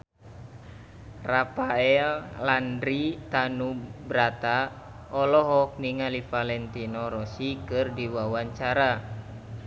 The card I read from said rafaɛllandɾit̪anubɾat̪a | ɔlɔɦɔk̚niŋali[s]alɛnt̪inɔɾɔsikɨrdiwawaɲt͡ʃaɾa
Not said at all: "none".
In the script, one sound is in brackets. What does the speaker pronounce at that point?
f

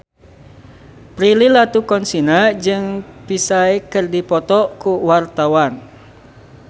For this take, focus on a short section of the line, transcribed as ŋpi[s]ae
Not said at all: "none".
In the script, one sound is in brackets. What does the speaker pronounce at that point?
s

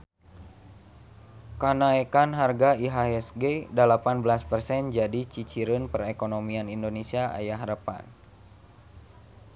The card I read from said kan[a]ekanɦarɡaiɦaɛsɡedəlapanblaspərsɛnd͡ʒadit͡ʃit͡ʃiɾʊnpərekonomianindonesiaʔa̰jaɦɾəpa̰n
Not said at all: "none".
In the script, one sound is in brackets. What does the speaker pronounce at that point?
a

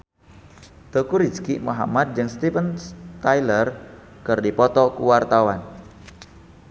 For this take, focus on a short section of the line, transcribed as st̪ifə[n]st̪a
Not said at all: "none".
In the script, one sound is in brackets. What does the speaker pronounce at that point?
n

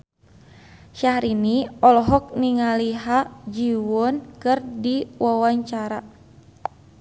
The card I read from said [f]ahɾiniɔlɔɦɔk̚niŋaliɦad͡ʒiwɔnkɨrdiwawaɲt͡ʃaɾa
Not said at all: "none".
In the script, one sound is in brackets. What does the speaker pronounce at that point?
ʃ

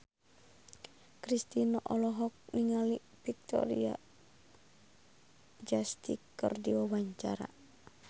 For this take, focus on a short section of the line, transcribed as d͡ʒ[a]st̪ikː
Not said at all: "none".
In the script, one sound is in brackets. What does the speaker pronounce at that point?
a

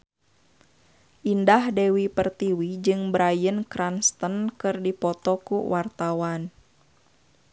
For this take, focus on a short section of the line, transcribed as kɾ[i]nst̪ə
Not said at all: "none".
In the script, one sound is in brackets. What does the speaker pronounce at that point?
a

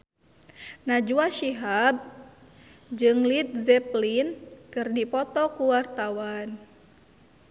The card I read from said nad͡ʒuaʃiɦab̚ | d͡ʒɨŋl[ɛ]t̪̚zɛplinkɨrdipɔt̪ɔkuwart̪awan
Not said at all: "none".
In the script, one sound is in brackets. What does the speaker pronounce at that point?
i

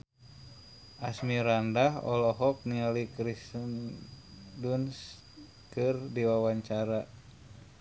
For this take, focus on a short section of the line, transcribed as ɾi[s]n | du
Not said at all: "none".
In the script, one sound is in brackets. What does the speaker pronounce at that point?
s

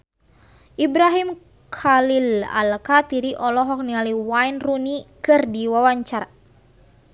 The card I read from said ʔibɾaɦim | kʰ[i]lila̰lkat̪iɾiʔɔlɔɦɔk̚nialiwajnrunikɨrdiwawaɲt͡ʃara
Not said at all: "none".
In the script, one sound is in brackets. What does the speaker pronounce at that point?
a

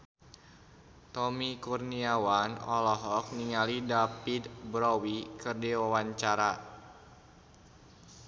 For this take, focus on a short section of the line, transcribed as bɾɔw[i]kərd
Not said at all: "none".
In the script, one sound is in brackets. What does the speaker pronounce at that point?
i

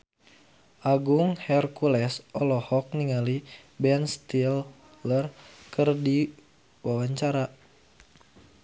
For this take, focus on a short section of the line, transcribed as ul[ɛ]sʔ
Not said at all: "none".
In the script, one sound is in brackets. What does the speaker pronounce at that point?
ɛ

